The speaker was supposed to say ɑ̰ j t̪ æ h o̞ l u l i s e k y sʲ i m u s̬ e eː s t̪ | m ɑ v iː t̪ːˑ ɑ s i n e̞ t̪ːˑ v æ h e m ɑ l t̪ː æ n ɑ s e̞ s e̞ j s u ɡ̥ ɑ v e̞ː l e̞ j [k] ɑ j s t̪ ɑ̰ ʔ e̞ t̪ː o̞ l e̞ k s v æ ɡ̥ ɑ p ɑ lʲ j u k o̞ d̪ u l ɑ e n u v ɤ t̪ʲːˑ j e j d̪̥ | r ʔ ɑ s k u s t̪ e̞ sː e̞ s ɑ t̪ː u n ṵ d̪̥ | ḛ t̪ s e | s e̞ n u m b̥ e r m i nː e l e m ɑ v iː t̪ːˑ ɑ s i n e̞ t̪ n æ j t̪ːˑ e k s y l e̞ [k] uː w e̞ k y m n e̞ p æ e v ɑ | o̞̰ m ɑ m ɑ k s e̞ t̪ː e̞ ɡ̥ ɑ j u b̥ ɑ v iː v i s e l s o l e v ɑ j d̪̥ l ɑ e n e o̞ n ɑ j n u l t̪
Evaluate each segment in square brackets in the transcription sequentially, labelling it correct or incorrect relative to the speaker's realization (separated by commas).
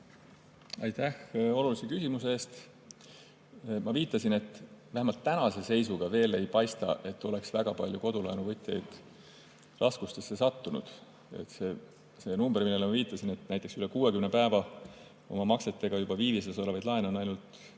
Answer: incorrect, correct